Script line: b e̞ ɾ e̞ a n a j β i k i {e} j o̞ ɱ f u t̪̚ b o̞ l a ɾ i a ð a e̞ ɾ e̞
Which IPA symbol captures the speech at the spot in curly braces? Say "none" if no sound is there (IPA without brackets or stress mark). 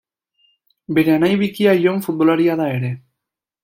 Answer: a